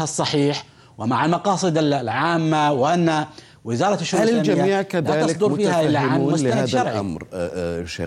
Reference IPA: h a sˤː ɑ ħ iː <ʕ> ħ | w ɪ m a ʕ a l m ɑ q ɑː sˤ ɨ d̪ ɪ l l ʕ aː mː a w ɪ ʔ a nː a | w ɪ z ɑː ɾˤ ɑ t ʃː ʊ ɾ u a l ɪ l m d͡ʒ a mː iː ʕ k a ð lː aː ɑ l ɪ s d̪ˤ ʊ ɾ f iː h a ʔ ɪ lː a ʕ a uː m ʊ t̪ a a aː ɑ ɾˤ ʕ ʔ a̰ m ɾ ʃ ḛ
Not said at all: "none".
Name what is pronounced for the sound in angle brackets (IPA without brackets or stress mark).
none